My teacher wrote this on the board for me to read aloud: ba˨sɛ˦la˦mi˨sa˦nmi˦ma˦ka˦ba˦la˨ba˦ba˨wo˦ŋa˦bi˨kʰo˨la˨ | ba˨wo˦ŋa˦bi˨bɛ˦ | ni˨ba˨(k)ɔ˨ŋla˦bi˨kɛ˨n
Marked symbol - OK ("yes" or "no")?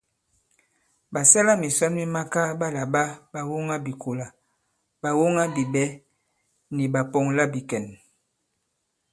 no